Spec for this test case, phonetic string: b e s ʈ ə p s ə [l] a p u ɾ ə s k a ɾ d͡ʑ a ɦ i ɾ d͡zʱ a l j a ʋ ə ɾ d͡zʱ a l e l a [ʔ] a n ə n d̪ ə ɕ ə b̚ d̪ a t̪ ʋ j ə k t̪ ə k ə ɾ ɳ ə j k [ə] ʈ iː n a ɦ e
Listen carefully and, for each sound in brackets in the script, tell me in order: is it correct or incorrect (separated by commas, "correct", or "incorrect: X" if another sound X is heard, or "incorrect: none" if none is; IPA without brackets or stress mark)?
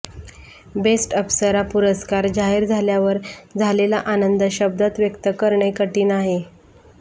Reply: incorrect: ɾ, correct, correct